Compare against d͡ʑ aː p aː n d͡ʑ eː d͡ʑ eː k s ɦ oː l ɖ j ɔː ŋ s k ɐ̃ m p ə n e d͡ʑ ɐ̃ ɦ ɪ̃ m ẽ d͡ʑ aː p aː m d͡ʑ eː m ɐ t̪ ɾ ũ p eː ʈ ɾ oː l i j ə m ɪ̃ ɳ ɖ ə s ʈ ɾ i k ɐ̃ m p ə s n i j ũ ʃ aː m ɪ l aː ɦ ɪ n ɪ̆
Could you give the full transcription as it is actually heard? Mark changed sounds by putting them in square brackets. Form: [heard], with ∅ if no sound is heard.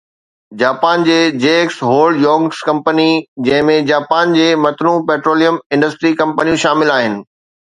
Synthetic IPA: d͡ʑ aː p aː n d͡ʑ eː d͡ʑ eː k s ɦ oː l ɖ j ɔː ŋ s k ɐ̃ m p ə n [i] d͡ʑ ɐ̃ ɦ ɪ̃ m ẽ d͡ʑ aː p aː [n] d͡ʑ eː m ɐ t̪ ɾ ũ p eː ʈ ɾ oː l i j ə m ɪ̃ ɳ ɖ ə s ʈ ɾ i k ɐ̃ m p ə [∅] n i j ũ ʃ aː m ɪ l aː ɦ ɪ n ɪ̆

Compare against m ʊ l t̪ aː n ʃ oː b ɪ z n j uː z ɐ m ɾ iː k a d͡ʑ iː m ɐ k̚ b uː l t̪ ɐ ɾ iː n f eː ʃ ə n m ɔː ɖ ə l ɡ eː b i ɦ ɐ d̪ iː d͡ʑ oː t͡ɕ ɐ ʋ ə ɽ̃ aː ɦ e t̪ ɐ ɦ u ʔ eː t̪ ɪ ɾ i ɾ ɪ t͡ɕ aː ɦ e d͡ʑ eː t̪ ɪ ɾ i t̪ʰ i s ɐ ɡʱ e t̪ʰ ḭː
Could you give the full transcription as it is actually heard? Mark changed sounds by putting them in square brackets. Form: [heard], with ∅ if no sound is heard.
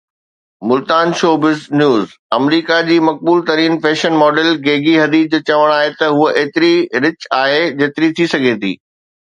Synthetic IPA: m ʊ l t̪ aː n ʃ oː b ɪ z n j uː z ɐ m ɾ iː k a d͡ʑ iː m ɐ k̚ b uː l t̪ ɐ ɾ iː n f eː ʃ ə n m ɔː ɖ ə l ɡ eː [ɡ] i ɦ ɐ d̪ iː d͡ʑ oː t͡ɕ ɐ ʋ ə ɽ̃ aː ɦ e t̪ ɐ ɦ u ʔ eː t̪ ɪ ɾ i ɾ ɪ t͡ɕ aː ɦ e d͡ʑ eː t̪ ɪ ɾ i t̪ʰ i s ɐ ɡʱ e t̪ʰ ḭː

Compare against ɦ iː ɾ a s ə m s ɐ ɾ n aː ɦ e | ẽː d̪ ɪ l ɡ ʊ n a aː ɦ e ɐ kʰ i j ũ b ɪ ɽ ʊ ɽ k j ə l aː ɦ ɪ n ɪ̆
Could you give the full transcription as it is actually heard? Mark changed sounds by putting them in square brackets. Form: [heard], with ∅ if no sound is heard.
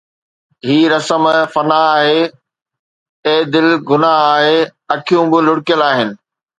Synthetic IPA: ɦ iː ɾ [ɐ] s ə m [f] ɐ [∅] n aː ɦ e | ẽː d̪ ɪ l ɡ ʊ n a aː ɦ e ɐ kʰ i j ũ b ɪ [l] ʊ ɽ k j ə l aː ɦ ɪ n ɪ̆

